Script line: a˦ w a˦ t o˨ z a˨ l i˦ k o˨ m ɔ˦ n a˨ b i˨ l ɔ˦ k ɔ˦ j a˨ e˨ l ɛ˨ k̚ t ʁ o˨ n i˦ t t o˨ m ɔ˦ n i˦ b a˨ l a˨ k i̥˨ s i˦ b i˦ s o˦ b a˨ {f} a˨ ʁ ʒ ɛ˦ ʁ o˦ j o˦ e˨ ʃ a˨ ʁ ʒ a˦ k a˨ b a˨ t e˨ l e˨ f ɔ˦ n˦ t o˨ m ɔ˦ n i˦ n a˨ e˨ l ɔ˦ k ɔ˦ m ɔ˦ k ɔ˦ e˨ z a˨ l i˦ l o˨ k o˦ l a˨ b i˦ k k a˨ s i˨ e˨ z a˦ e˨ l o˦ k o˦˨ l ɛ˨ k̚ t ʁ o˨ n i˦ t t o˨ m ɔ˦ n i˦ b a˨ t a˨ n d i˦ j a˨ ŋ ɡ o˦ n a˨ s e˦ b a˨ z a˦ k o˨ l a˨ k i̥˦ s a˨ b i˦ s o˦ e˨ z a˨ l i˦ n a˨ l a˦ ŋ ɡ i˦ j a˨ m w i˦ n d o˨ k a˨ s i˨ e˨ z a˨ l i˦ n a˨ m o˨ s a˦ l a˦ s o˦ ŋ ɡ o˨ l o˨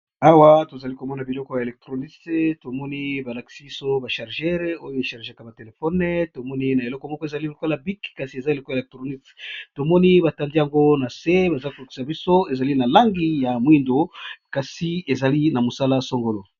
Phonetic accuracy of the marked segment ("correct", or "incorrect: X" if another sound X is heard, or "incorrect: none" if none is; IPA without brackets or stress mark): incorrect: ʃ